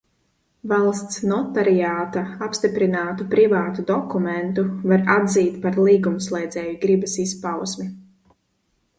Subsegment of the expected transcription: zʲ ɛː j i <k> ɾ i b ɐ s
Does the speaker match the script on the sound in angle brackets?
no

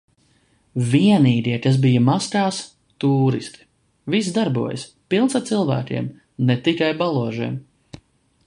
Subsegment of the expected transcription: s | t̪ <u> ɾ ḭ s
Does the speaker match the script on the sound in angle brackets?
no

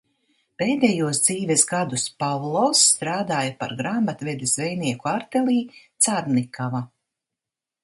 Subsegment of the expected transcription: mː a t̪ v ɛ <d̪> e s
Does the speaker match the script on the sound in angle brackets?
yes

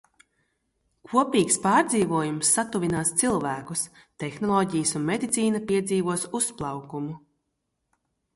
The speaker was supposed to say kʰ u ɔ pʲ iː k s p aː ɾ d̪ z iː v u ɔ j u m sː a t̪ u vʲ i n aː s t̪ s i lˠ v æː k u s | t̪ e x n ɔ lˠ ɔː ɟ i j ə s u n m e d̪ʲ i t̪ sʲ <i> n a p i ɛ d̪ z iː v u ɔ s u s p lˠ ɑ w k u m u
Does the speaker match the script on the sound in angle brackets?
no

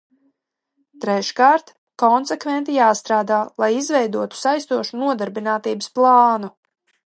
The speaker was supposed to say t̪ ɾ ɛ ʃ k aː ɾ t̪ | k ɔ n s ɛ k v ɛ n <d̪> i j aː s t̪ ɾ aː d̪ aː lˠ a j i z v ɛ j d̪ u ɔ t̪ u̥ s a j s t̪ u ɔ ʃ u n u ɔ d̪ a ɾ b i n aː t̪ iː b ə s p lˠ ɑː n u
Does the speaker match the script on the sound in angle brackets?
no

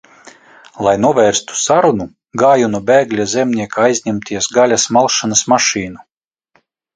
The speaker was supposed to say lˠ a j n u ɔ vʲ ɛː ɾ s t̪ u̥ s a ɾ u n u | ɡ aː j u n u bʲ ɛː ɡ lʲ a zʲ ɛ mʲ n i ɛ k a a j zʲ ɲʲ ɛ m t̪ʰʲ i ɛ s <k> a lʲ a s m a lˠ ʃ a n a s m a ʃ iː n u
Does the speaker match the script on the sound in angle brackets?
no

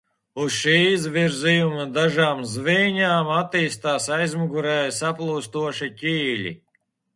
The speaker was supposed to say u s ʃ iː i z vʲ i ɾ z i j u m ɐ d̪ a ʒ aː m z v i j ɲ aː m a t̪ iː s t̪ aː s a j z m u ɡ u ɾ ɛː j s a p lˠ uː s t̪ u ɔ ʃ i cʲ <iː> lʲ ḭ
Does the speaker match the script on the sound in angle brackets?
yes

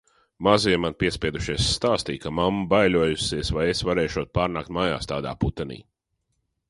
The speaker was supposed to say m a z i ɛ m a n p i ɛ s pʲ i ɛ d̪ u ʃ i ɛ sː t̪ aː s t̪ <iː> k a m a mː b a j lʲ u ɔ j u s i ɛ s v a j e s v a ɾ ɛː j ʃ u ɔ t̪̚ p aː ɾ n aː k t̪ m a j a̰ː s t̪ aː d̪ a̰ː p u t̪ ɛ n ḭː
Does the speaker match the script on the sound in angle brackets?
yes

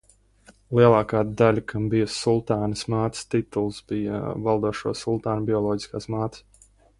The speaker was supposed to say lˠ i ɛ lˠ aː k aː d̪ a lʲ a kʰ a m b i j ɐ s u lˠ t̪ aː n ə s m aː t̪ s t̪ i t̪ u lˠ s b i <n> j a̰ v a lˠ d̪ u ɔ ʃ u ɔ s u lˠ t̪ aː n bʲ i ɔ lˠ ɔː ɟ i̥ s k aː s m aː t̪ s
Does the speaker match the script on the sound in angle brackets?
no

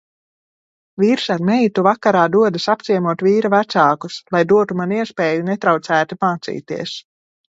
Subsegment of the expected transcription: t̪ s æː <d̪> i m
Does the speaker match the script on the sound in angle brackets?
no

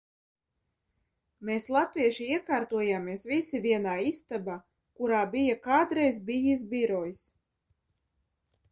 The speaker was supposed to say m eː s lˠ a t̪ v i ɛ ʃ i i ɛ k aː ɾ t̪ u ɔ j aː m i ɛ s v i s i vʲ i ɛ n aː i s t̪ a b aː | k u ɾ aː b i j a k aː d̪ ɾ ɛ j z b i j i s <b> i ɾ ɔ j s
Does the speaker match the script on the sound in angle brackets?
yes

